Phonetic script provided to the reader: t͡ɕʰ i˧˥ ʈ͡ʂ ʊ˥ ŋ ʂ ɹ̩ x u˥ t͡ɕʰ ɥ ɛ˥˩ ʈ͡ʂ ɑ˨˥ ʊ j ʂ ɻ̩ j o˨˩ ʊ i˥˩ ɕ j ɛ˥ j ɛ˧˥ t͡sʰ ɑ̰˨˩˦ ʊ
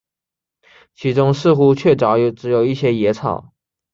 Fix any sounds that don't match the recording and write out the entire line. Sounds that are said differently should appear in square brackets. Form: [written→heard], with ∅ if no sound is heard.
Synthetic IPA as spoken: t͡ɕʰ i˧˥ ʈ͡ʂ ʊ˥ ŋ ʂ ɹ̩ x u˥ t͡ɕʰ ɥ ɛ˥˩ ʈ͡ʂ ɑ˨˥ ʊ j [ʂ→ʈ͡ʂ] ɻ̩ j o˨˩ ʊ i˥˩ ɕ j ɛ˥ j ɛ˧˥ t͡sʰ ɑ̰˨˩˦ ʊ